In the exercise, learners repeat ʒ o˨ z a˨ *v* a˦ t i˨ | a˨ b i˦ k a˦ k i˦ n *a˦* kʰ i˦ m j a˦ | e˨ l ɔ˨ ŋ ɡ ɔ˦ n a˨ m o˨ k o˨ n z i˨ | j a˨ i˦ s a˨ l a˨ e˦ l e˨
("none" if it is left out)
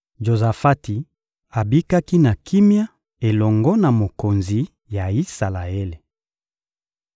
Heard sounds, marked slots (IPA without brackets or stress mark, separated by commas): f, a˨